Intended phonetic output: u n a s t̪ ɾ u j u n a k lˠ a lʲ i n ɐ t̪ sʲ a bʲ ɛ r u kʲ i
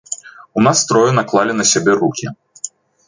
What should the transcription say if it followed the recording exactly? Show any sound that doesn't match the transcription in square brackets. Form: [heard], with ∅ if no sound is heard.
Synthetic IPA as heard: u n a s t̪ ɾ [ɔ] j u n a k lˠ a lʲ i n ɐ [∅] sʲ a bʲ ɛ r u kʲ i